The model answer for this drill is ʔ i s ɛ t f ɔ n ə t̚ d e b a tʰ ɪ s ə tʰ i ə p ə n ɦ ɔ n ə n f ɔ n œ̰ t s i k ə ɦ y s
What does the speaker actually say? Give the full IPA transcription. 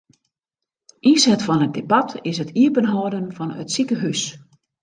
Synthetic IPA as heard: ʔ i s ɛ t f ɔ n ə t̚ d e b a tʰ ɪ s ə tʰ i ə p ə n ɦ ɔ d ə n f ɔ n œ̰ t s i k ə ɦ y s